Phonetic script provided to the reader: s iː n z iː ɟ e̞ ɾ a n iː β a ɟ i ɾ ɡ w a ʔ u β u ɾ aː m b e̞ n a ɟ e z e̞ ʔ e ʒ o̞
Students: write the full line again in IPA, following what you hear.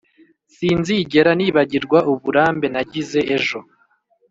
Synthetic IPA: s iː n z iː ɟ e̞ ɾ a n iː β a ɟ i ɾ ɡ w a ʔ u β u ɾ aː m b e̞ n a ɟ i z e̞ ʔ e ʒ o̞

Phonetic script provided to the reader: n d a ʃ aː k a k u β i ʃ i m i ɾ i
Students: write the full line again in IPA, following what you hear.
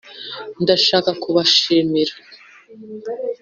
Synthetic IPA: n d a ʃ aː k a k u β a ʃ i m i ɾ a

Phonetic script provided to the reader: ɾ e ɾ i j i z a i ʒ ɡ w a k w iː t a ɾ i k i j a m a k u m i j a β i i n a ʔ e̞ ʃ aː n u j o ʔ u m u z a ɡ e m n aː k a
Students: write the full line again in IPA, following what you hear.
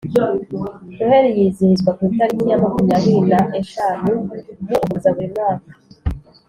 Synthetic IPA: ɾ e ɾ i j i z i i z ɡ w a k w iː t a ɾ i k i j a m a k u m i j a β i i n a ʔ e̞ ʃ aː n u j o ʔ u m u z a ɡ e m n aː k a

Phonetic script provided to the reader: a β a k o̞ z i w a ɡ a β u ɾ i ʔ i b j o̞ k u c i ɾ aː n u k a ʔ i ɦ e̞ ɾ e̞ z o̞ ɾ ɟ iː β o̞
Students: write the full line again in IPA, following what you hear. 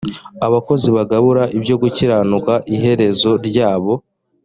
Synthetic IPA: a β a k o̞ z i β a ɡ a β u ɾ a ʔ i b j o̞ ɡ u c i ɾ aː n u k a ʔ i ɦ e̞ ɾ e̞ z o̞ ɾ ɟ aː β o̞

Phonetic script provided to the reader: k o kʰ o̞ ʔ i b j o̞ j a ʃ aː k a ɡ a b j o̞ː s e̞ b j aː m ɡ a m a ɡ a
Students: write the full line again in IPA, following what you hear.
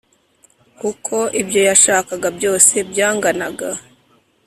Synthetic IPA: k u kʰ o̞ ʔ i b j o̞ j a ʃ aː k a ɡ a b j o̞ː s e̞ b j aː ŋ ɡ a n a ɡ a

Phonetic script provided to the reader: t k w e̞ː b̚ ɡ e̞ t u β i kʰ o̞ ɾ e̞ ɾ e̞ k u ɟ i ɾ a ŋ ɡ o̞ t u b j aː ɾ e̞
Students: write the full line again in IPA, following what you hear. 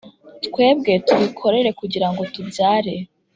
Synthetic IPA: t k w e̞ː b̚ ɡ e̞ t u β i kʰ o̞ ɾ e̞ ɾ e̞ k u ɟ i ɾ a ŋ ɡ o̞ t u b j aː ɾ e̞

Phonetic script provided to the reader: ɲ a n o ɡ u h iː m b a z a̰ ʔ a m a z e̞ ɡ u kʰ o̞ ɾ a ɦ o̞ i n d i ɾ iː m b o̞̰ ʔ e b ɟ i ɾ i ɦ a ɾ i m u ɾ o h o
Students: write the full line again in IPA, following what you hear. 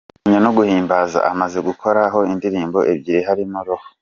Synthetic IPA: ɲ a n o ɡ u h iː m b a z a̰ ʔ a m a z e̞ ɡ u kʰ o̞ ɾ a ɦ o̞ i n d i ɾ iː m b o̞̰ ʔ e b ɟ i ɾ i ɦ a ɾ i m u ɾ o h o

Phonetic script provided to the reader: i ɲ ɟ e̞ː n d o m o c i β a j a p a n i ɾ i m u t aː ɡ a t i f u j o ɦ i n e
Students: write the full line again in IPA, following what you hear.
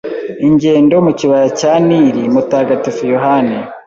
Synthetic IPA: i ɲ ɟ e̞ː n d o m u c i β a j a c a n i ɾ i m u t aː ɡ a t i f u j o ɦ a n e

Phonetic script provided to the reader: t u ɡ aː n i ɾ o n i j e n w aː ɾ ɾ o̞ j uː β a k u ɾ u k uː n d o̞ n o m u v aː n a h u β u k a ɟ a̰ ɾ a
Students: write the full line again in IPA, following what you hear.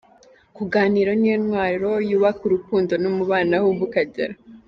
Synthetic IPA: k u ɡ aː n i ɾ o n i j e n w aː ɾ ɾ o̞ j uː β a k u ɾ u k uː n d o̞ n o m u β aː n a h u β u k a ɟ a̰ ɾ a

